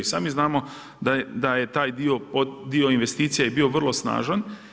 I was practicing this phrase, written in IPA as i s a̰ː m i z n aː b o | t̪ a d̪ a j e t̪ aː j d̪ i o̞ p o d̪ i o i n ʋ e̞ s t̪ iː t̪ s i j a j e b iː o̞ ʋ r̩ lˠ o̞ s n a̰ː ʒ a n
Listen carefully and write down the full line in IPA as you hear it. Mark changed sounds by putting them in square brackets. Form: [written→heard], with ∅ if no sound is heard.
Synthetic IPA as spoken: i s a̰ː m i z n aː [b→m] o | [t̪→d̪] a d̪ a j e t̪ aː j d̪ i o̞ p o d̪ i o i n ʋ e̞ s t̪ iː t̪ s i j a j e b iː o̞ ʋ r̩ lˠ o̞ s n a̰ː ʒ a n